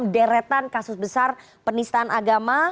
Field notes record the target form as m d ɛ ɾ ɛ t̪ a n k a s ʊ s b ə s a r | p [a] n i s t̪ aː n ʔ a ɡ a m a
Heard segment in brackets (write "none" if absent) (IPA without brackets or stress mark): ə